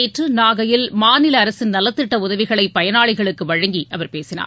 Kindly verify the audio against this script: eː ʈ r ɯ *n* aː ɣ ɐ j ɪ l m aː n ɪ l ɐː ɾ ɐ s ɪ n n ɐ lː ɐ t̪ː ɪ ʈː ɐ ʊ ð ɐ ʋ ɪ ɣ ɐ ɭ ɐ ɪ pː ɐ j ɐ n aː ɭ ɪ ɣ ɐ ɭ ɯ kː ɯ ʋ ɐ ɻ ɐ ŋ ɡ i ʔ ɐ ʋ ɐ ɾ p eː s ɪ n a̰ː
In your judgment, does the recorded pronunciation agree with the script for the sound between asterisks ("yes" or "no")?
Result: yes